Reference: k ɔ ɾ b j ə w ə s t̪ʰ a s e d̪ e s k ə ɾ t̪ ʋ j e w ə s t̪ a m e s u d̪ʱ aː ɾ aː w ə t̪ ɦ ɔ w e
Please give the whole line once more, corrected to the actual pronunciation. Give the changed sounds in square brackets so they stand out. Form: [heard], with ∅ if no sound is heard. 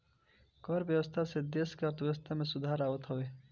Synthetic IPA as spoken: k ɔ ɾ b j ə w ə s t̪ʰ a s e d̪ e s k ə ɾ t̪ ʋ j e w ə s [t̪ʰ] a m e s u d̪ʱ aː ɾ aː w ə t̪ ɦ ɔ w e